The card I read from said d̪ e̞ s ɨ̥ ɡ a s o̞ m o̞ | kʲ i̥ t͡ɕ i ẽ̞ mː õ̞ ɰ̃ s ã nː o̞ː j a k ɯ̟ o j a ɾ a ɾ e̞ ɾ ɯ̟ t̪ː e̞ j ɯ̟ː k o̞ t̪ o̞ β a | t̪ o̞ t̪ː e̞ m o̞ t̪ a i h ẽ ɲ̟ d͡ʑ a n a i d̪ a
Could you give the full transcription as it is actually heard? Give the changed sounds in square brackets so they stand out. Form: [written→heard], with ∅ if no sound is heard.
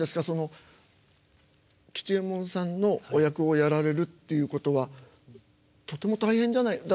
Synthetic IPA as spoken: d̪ e̞ s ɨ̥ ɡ a s o̞ [m→n] o̞ | kʲ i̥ t͡ɕ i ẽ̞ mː õ̞ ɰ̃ s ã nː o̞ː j a k ɯ̟ o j a ɾ a ɾ e̞ ɾ ɯ̟ t̪ː e̞ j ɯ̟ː k o̞ t̪ o̞ β a | t̪ o̞ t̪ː e̞ m o̞ t̪ a i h ẽ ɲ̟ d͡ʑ a n a i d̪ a